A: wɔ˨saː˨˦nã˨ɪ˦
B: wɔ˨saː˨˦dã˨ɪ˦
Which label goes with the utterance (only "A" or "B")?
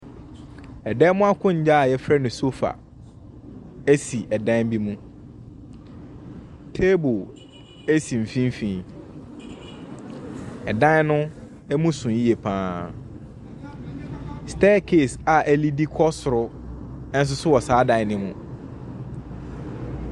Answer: B